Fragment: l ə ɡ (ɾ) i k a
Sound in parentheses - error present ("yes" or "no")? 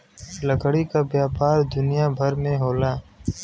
yes